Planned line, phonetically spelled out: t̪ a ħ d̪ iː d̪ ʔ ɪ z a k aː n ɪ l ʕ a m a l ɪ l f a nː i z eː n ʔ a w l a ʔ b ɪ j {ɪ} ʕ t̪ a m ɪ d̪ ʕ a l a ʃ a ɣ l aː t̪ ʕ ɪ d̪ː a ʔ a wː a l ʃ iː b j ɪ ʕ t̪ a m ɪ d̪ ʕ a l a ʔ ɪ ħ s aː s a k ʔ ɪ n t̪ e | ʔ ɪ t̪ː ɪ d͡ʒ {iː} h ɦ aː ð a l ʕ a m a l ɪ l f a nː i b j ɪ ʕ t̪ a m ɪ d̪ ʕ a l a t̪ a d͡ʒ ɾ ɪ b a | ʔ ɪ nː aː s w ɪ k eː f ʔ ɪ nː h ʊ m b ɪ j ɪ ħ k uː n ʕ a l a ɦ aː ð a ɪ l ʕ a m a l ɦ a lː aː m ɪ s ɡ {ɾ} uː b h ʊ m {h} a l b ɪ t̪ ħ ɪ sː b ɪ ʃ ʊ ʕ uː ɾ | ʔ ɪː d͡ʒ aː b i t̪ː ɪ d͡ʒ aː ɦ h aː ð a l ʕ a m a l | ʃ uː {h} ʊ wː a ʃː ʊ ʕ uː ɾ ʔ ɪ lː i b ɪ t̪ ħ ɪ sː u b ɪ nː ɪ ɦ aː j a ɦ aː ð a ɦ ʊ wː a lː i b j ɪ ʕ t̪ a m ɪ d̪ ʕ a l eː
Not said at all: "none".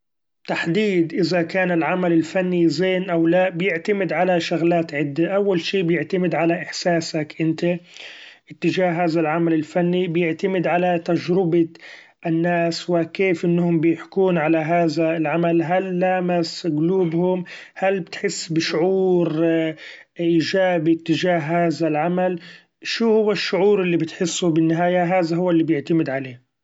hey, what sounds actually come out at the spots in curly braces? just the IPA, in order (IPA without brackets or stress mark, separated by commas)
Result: ɪ, aː, l, h, h